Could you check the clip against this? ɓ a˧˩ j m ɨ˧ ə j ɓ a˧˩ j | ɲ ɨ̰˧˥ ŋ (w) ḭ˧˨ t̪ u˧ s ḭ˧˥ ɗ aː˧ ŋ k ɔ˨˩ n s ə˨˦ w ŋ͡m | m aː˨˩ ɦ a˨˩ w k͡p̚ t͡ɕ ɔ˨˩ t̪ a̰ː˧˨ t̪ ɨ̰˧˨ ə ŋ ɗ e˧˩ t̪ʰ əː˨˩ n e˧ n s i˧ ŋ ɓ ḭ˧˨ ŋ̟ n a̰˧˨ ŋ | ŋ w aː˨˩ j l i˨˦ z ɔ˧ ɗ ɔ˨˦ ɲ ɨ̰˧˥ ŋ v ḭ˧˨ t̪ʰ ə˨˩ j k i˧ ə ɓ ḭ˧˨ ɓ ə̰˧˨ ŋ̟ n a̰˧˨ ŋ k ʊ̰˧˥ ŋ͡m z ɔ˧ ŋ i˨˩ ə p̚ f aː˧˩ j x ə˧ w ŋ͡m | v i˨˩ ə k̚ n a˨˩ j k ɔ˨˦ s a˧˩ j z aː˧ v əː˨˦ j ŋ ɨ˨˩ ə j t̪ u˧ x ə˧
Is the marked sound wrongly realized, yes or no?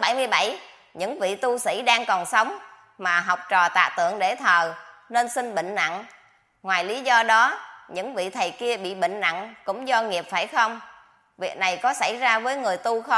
yes